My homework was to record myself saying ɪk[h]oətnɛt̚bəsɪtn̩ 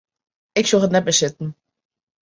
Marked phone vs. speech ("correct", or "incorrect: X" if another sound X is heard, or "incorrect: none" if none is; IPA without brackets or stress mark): incorrect: s